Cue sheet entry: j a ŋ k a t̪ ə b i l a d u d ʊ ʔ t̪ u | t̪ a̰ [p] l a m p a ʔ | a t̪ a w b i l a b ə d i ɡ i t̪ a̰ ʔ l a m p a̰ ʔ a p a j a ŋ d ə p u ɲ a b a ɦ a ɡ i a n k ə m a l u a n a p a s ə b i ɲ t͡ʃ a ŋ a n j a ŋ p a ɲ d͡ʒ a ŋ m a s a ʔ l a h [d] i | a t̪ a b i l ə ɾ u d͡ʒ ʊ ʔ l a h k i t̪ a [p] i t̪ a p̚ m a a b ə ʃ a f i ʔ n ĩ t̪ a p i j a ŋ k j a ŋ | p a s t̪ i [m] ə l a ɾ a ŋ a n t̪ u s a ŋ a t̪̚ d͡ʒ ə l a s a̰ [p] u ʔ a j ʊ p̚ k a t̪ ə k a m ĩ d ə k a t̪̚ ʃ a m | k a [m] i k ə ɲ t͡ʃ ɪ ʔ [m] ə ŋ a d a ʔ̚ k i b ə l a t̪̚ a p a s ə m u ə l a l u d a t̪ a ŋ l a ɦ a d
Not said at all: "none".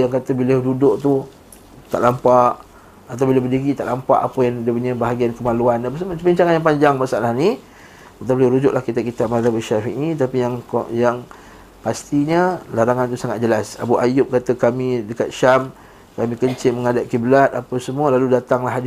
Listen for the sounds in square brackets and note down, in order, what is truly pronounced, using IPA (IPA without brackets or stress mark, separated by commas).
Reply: ʔ, n, k, ɲ, b, m, m